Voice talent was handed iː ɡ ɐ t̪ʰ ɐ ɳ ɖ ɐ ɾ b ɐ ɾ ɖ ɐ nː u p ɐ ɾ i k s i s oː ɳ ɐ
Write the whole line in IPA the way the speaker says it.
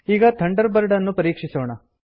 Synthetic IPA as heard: iː ɡ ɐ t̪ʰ ɐ ɳ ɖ ɐ ɾ b ɐ ɾ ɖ ɐ nː u p ɐ ɾ iː k ʂ i s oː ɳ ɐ